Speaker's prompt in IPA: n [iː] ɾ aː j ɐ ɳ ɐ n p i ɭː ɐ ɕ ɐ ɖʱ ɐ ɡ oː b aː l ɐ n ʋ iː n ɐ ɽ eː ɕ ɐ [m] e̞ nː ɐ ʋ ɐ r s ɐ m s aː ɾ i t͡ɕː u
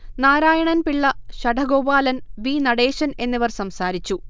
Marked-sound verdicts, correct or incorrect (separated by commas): incorrect, incorrect